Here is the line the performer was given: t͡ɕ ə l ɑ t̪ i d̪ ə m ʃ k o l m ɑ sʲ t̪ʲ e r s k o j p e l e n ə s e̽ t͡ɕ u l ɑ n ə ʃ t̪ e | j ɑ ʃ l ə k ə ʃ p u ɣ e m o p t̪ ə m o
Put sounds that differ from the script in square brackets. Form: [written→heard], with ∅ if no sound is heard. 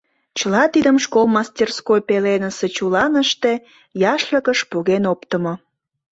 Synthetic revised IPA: t͡ɕ ə l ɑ t̪ i d̪ ə m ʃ k o l m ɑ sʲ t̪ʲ e r s k o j p e l e n ə s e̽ t͡ɕ u l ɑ n ə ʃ t̪ e | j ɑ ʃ l ə k ə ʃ p u ɣ e [m→n] o p t̪ ə m o